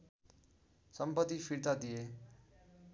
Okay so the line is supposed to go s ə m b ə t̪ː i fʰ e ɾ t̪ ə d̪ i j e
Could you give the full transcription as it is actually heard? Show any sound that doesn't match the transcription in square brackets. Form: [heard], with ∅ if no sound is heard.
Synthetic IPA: s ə m [p] ə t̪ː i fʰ [i] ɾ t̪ [a] d̪ i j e